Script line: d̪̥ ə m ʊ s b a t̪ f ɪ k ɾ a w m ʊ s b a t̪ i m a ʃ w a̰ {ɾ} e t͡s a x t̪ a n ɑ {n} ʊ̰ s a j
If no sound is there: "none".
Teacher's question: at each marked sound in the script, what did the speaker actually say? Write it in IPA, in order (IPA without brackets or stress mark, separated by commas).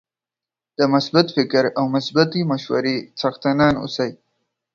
ɾ, n